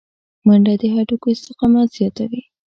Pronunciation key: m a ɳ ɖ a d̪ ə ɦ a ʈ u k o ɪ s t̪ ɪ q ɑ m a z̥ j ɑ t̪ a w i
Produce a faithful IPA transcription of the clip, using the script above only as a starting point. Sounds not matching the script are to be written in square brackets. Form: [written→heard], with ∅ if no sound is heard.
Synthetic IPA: m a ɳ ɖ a d̪ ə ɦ a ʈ u k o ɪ s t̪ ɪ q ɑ m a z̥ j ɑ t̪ a w i